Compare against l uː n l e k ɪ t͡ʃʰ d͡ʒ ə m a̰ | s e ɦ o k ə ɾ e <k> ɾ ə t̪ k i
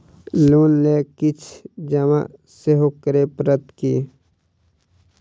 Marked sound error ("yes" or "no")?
yes